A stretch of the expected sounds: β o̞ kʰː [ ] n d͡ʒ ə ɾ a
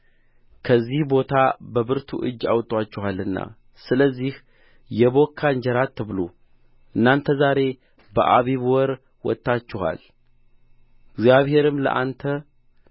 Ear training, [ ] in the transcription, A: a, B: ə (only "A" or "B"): A